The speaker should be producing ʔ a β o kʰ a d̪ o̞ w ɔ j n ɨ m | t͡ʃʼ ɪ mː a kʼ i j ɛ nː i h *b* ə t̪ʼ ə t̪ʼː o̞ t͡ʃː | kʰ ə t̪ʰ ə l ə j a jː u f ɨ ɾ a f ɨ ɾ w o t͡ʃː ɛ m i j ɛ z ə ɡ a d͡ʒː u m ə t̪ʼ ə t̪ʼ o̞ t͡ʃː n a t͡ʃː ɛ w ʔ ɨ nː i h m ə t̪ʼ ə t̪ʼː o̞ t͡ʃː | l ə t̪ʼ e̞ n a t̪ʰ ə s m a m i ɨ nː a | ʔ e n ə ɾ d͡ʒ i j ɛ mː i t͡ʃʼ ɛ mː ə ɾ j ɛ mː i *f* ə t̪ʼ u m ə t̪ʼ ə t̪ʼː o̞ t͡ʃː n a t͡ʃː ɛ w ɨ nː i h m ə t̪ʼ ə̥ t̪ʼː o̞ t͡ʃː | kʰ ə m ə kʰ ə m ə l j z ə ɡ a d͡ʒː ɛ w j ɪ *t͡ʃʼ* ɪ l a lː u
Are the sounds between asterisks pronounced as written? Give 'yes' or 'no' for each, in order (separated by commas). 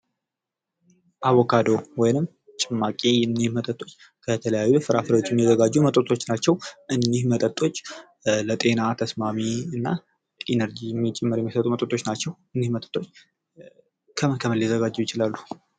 no, no, no